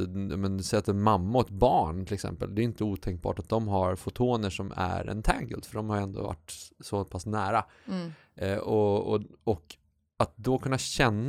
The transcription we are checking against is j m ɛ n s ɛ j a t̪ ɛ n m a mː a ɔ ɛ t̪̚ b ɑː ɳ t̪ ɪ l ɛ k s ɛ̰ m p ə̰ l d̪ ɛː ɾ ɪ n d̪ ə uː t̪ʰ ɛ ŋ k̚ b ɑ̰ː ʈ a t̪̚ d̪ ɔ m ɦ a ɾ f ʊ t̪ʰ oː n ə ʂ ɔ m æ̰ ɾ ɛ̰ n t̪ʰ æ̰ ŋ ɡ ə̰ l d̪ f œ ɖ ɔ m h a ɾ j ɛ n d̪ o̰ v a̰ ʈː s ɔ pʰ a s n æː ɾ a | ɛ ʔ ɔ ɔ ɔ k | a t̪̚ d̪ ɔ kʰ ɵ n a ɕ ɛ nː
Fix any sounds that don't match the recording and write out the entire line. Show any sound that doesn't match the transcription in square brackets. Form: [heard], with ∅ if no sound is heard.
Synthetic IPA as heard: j m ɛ n s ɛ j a t̪ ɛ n m a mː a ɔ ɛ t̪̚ b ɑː ɳ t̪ ɪ l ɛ k s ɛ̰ m p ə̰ l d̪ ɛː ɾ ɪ n [t̪] ə uː t̪ʰ ɛ ŋ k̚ b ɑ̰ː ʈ a t̪̚ d̪ ɔ m ɦ a ɾ f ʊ t̪ʰ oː n ə ʂ ɔ m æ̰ ɾ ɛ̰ n t̪ʰ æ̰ ŋ ɡ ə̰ l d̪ f œ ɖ ɔ m h a ɾ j ɛ n d̪ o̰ v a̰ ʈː s ɔ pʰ a s n æː ɾ a | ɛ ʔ ɔ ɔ ɔ k | a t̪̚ d̪ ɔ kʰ ɵ [nː] a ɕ ɛ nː